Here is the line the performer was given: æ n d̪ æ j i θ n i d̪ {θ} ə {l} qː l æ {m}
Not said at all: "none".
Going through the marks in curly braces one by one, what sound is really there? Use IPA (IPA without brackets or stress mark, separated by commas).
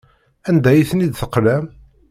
θ, none, m